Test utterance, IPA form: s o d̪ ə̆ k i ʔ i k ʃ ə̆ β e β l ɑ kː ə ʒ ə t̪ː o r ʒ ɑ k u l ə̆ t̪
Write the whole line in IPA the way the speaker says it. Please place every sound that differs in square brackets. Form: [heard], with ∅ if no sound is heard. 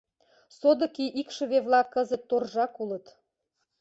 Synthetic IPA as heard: s o d̪ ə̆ k i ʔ i k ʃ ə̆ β e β l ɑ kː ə [z] ə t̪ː o r ʒ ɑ k u l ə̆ t̪